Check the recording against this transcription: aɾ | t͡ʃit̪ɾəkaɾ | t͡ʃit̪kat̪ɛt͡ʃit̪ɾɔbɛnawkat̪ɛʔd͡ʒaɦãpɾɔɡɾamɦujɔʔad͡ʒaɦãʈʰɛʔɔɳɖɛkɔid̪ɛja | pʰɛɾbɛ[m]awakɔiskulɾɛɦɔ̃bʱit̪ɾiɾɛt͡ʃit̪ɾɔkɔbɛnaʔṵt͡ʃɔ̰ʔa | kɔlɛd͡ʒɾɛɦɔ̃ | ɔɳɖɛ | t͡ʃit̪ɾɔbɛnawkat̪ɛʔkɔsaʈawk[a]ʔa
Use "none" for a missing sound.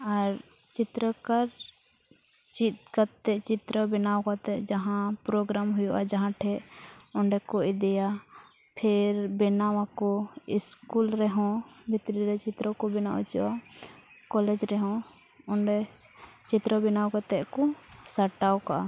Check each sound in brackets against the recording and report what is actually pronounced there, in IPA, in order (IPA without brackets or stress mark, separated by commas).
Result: n, a